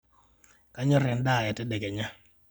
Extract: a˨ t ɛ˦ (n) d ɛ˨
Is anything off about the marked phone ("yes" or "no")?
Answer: yes